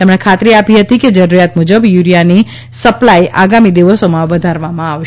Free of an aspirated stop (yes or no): no